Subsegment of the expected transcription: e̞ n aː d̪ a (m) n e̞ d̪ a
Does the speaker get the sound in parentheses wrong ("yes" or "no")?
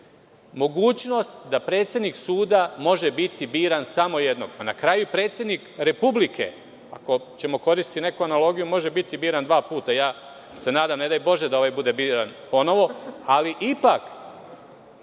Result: no